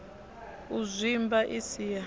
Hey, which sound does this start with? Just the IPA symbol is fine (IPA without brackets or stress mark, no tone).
u